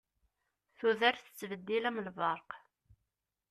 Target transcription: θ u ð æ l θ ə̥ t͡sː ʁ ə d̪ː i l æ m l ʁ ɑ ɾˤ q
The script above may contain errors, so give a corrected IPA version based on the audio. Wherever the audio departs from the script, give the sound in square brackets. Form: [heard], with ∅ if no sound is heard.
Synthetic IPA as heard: θ u ð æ [ɾ] θ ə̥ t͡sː [v] ə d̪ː i l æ m l [v] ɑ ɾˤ q